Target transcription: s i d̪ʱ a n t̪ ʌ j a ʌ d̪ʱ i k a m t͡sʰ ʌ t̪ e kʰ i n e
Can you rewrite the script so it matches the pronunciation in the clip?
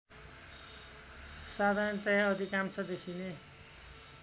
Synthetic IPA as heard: s a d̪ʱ a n t̪ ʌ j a ʌ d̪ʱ i k a m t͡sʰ ʌ d̪ e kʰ i n e